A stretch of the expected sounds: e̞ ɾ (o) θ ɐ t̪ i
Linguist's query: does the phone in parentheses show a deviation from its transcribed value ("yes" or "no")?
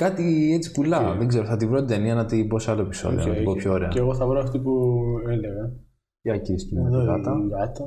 no